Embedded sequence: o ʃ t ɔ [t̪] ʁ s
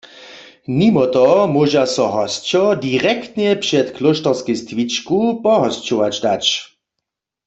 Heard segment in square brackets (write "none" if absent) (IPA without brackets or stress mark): none